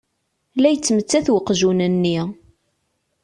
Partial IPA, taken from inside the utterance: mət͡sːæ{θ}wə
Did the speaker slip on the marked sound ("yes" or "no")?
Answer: no